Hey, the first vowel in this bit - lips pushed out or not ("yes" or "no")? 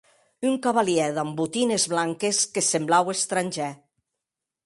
yes